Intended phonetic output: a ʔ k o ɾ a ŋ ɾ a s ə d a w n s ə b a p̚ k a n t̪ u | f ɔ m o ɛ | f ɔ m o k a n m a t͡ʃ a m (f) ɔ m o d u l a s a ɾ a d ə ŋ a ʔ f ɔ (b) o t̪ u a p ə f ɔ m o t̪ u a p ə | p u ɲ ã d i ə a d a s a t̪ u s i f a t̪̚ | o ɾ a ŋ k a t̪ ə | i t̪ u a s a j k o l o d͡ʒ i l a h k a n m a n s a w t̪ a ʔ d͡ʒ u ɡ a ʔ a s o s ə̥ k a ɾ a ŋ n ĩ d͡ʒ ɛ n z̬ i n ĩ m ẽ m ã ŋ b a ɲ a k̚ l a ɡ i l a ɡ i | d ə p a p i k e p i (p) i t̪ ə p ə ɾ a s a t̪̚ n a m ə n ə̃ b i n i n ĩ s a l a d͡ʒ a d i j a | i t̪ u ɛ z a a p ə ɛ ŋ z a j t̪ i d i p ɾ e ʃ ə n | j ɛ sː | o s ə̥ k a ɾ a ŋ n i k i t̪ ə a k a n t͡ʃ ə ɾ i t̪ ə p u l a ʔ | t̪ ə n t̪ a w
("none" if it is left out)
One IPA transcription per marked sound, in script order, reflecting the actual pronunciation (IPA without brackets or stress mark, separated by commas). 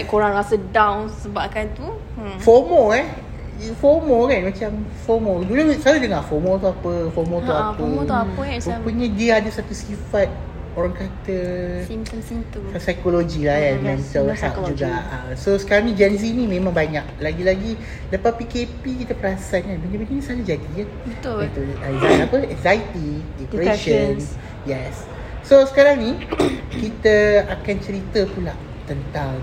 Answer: f, m, k